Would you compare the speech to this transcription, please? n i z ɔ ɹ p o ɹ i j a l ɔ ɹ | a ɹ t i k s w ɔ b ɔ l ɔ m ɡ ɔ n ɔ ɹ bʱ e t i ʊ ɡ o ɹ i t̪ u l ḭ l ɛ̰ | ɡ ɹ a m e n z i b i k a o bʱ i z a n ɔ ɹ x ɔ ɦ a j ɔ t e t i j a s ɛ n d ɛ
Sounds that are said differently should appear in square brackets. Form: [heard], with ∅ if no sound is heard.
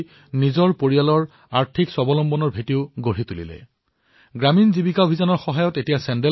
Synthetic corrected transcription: n i z ɔ ɹ p o ɹ i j a l ɔ ɹ | a ɹ [tʰ] i k s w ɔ b ɔ l ɔ m [b] ɔ n ɔ ɹ bʱ e t i ʊ ɡ o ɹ i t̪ u l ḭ l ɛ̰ | ɡ ɹ a m [i] n z i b i k a o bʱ i z a n ɔ ɹ x ɔ ɦ a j ɔ t e t i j a s ɛ n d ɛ